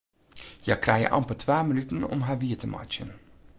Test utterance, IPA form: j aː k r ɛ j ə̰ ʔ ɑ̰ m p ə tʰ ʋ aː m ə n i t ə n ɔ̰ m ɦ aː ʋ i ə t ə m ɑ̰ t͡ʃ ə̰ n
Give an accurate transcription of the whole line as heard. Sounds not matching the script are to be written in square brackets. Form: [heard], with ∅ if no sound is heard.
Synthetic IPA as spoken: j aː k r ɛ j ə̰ ʔ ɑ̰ m p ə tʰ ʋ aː m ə n [y] t ə n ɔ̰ m ɦ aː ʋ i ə t ə m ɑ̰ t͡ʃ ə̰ n